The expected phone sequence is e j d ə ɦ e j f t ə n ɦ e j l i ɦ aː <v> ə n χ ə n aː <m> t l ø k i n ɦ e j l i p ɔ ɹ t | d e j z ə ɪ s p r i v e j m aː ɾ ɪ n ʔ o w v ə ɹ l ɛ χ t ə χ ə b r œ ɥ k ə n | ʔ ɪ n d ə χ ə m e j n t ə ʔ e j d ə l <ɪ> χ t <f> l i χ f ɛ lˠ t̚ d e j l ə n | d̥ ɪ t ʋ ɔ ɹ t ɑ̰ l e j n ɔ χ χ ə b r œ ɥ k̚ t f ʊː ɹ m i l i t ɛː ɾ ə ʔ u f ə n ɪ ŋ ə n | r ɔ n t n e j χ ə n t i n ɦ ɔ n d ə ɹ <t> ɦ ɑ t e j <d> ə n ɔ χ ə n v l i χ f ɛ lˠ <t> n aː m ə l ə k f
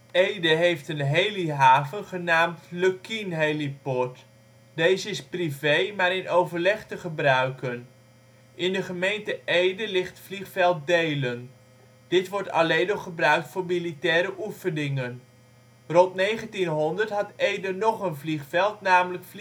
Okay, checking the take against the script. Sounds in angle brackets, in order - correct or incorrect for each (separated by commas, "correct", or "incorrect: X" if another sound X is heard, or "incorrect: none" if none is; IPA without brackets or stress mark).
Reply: correct, correct, correct, correct, correct, correct, correct